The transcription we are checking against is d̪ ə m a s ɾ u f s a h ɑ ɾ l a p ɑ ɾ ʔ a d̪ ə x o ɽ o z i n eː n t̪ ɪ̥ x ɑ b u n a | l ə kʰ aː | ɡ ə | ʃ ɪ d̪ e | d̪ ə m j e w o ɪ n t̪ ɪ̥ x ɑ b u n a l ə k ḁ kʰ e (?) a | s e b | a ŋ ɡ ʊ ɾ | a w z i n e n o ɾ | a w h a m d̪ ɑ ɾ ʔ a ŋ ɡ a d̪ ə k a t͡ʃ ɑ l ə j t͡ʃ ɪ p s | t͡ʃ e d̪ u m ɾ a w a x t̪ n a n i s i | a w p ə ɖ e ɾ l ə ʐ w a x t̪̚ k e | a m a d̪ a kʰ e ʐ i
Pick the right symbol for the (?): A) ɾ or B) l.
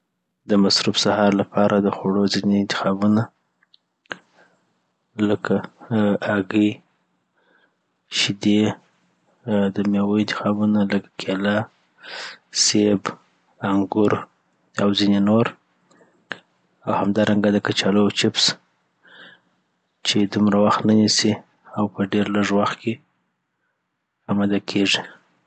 B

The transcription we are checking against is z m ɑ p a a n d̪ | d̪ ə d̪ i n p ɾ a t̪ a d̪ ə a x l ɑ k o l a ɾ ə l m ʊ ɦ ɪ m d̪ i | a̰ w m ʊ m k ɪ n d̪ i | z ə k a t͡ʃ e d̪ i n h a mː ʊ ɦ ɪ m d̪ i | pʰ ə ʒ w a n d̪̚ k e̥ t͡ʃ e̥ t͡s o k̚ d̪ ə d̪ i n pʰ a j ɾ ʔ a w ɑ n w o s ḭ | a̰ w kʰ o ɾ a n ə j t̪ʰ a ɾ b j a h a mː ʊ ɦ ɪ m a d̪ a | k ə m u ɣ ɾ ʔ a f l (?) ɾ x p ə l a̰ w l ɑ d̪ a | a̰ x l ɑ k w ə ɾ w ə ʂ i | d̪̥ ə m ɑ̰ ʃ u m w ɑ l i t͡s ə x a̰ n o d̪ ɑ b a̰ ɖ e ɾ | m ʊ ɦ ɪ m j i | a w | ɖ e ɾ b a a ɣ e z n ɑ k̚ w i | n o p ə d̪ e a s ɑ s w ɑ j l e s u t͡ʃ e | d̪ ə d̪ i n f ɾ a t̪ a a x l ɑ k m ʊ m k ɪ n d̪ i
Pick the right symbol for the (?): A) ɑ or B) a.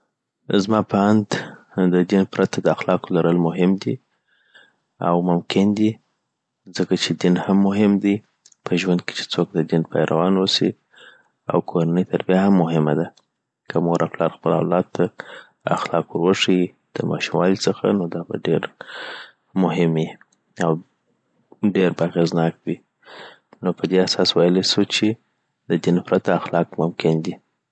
A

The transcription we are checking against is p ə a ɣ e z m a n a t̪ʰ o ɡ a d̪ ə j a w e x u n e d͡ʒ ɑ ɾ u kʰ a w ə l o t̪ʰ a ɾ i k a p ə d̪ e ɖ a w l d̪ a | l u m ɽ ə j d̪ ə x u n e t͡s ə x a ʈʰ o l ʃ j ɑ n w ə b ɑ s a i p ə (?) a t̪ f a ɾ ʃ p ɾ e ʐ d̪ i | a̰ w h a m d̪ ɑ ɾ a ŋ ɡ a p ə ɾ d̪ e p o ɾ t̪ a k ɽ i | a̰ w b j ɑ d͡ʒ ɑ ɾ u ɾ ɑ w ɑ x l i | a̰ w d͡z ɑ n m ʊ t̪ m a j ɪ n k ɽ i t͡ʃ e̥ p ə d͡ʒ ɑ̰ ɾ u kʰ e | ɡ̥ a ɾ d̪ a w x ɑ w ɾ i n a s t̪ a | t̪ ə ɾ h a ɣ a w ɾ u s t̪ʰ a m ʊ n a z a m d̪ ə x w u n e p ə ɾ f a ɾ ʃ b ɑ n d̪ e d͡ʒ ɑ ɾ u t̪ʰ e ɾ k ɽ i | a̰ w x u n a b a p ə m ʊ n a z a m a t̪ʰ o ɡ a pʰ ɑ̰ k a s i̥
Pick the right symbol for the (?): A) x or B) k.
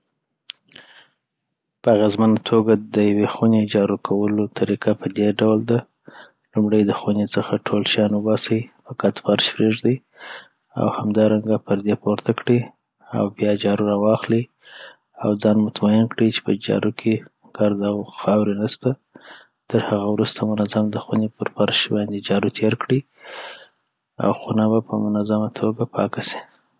B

